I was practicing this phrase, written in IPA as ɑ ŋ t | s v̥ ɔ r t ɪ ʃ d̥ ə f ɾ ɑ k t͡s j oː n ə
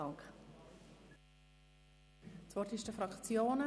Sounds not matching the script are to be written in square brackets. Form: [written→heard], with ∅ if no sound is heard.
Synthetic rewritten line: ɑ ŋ [t→k] | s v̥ ɔ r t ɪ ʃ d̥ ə f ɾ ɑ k t͡s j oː n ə